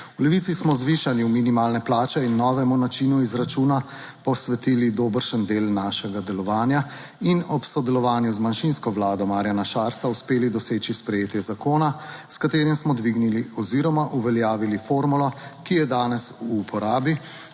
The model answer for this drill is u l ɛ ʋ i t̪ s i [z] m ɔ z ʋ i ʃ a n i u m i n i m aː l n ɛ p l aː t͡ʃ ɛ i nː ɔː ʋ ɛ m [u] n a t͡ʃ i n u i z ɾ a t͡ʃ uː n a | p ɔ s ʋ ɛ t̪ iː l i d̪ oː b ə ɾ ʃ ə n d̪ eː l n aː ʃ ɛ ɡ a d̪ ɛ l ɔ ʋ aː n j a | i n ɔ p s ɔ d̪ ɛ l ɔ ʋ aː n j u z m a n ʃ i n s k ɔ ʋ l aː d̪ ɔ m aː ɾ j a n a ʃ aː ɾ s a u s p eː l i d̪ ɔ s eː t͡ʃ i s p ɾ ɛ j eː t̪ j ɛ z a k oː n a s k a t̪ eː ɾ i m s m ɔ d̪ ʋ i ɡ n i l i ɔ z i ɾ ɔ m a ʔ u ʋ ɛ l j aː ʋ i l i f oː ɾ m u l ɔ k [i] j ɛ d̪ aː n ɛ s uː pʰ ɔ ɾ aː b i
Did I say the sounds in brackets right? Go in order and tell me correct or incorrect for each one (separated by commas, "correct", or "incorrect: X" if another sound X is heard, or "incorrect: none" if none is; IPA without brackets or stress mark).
incorrect: s, correct, correct